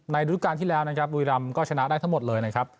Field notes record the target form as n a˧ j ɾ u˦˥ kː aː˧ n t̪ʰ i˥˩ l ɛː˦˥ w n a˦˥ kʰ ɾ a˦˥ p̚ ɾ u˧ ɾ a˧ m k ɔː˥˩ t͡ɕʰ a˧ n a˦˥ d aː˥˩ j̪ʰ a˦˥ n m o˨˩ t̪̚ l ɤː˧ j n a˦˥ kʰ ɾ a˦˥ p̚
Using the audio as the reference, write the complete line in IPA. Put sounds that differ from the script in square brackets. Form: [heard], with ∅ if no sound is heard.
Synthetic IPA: n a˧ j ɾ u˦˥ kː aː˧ n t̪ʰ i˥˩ l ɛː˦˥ w n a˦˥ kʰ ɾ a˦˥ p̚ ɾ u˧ ɾ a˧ m k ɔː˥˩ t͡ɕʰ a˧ n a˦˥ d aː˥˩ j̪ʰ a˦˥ [ŋ] m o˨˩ t̪̚ l ɤː˧ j n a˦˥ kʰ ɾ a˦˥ p̚